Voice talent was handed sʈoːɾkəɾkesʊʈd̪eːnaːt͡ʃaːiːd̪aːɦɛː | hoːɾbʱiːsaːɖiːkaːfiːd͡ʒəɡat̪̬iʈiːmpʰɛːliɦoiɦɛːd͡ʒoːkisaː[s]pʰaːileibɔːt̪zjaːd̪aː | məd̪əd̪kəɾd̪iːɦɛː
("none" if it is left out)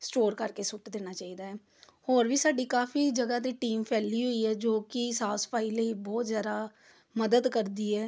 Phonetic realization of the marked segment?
s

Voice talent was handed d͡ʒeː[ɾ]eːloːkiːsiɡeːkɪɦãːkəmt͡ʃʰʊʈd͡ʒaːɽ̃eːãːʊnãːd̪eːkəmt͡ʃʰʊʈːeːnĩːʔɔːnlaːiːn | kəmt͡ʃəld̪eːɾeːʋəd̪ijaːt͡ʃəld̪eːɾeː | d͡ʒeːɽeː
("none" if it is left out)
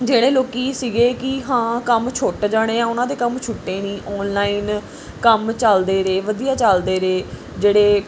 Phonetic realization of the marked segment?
ɽ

